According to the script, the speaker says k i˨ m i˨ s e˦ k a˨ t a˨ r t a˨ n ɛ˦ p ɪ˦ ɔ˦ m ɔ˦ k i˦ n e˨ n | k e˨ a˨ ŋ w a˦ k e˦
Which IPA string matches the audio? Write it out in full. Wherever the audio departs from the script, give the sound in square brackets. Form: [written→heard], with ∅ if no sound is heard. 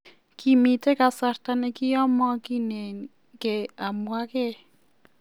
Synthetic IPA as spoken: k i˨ m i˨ [s→t] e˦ k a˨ [t→s] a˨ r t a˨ n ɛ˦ [p→k] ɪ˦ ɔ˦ m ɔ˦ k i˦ n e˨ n | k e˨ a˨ [ŋ→m] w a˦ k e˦

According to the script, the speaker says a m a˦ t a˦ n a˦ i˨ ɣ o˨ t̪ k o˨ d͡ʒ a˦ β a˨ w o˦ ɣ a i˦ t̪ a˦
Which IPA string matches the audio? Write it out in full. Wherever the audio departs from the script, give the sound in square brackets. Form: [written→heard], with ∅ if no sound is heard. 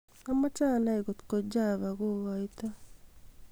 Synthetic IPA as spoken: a m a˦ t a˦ n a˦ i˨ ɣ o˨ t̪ k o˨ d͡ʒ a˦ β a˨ [w→ɣ] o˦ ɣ a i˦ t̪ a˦

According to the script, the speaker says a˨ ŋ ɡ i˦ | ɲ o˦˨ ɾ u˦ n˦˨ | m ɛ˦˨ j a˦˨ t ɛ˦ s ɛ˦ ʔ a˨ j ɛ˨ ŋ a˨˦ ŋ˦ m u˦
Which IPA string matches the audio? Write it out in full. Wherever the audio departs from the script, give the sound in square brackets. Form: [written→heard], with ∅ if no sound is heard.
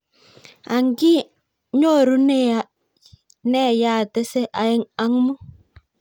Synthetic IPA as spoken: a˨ ŋ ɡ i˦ | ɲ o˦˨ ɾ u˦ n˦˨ | [m→n] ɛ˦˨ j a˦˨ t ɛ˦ s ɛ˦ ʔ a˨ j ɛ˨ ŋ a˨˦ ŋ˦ m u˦

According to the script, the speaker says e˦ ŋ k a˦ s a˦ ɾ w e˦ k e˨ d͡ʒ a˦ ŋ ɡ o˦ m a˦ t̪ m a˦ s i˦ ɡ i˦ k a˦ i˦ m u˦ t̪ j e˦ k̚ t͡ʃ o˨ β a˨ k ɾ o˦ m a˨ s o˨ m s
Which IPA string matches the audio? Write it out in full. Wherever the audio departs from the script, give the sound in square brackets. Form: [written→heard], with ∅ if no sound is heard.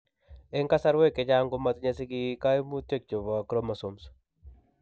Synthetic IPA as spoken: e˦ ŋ k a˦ s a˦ ɾ w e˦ k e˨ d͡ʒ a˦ ŋ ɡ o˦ m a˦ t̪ [m→ɲ] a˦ s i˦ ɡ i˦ k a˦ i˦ m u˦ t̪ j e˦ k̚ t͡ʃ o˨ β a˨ k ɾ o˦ m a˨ s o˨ m s

